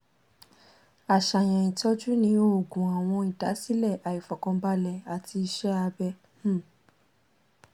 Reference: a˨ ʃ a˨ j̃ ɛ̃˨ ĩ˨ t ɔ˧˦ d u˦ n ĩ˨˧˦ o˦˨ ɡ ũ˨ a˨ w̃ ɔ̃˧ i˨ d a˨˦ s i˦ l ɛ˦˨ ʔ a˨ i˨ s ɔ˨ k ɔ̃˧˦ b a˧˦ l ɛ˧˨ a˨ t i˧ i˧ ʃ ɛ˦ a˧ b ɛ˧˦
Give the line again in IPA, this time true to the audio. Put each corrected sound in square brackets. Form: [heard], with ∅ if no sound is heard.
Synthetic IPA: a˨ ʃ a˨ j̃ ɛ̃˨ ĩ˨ t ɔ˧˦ [d͡ʒ] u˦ n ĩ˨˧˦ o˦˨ ɡ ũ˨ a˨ w̃ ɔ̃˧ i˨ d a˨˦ s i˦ l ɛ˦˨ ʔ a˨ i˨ [f] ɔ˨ k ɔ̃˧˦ b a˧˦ l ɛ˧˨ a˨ t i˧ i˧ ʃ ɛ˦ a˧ b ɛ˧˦